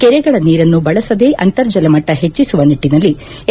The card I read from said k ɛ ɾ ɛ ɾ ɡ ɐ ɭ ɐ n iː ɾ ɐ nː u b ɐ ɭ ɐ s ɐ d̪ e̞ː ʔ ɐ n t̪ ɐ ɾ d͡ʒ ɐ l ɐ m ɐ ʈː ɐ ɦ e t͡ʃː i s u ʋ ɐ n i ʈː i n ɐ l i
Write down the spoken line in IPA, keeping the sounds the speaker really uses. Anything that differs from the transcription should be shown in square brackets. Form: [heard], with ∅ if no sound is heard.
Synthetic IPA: k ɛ ɾ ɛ [∅] ɡ ɐ ɭ ɐ n iː ɾ ɐ nː u b ɐ ɭ ɐ s ɐ d̪ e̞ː ʔ ɐ n t̪ ɐ ɾ d͡ʒ ɐ l ɐ m ɐ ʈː ɐ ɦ e t͡ʃː i s u ʋ ɐ n i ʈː i n ɐ [lː] i